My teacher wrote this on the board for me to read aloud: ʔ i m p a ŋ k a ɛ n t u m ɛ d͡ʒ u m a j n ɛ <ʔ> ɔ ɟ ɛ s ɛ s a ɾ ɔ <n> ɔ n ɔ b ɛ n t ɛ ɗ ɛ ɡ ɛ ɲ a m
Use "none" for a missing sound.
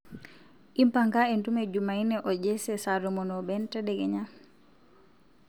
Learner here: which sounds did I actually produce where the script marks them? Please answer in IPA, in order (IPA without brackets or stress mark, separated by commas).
ʔ, m